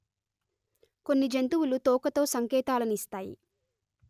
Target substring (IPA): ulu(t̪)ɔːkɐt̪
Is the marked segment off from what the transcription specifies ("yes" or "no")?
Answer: no